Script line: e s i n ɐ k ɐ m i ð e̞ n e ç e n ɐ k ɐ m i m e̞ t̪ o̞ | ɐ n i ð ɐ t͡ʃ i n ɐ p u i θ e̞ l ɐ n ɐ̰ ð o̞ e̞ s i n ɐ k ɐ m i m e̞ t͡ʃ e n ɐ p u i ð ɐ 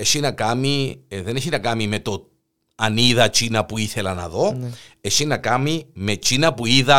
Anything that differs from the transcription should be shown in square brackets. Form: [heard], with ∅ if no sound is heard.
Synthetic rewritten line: e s i n ɐ k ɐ m i ð e̞ n e ç [i] n ɐ k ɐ m i m e̞ t̪ o̞ | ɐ n i ð ɐ t͡ʃ i n ɐ p u i θ e̞ l ɐ n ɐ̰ ð o̞ e̞ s i n ɐ k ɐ m i m e̞ t͡ʃ [i] n ɐ p u i ð ɐ